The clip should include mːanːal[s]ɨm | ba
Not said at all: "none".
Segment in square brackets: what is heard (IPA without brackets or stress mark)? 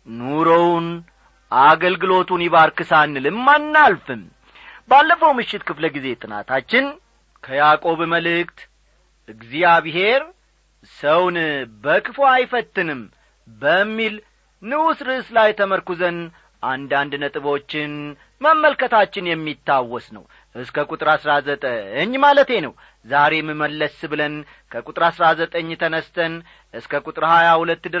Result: f